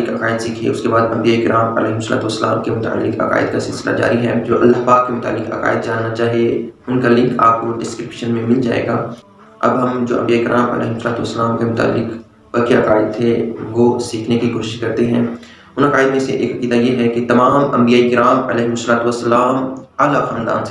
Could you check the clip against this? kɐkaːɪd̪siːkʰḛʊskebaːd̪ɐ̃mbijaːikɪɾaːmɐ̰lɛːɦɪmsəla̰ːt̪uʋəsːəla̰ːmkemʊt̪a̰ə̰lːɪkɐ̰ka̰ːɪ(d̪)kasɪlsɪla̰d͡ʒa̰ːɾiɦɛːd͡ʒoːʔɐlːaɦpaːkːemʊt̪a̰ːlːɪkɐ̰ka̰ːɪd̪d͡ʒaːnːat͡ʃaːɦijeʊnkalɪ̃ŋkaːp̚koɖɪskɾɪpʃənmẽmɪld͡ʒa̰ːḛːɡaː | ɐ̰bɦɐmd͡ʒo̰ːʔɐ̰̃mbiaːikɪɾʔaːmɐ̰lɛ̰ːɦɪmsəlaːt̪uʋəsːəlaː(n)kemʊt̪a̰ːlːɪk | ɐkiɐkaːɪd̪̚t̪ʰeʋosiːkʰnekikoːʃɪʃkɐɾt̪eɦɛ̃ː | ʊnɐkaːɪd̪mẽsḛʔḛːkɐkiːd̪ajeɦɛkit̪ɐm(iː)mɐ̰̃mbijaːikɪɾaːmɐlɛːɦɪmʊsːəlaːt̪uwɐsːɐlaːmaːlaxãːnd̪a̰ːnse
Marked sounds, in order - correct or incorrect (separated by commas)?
correct, incorrect, incorrect